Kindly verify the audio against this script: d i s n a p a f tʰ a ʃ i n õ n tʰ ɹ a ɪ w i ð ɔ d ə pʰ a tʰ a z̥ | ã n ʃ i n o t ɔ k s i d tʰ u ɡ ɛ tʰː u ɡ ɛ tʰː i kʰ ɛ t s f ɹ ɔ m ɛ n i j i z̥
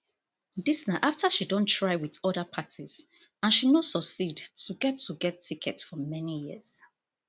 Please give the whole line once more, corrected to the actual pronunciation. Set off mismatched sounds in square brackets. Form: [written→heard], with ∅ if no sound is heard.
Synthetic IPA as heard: d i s n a [p→ʔ] a f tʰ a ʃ i [n→d] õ n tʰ ɹ a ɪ w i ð ɔ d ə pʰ a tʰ [a→i] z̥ | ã n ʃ i n o [t→s] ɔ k s i d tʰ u ɡ ɛ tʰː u ɡ ɛ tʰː i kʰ ɛ t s f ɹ ɔ m ɛ n i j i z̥